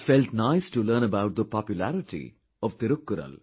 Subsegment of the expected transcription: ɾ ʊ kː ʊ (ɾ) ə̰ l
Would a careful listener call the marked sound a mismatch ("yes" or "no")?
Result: no